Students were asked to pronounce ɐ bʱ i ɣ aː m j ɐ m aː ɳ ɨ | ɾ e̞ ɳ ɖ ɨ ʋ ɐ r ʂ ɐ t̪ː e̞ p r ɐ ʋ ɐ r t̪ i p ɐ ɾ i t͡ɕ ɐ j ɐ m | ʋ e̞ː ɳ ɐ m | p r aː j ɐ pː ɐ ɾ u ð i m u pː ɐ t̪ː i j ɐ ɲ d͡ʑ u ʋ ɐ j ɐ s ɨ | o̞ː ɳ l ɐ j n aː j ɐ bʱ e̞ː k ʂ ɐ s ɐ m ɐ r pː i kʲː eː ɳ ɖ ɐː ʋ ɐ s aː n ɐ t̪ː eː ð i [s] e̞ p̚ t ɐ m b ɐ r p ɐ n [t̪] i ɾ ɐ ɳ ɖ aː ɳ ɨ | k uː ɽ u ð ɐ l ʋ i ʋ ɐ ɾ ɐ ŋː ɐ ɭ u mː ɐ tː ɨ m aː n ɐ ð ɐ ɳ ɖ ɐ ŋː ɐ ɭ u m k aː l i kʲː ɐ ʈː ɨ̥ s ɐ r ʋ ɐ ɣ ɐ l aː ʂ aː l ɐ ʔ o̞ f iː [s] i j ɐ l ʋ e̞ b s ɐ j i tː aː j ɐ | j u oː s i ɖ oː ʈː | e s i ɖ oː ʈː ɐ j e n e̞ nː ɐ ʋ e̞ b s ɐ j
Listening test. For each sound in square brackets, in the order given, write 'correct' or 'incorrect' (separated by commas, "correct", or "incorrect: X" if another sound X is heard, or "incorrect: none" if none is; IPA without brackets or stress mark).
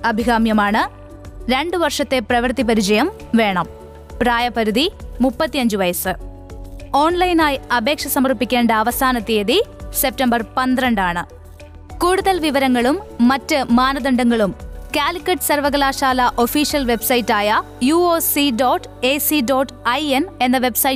correct, incorrect: d̪, incorrect: ʂ